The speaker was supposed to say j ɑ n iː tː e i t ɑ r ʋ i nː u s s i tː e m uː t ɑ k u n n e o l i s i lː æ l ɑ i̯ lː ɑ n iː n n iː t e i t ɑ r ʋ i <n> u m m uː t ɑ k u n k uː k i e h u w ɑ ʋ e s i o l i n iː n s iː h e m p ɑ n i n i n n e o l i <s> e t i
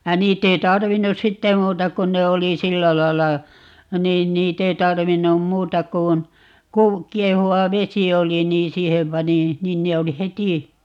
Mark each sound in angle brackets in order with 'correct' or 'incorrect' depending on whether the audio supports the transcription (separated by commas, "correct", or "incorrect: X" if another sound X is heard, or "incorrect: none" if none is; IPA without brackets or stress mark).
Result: incorrect: nː, incorrect: h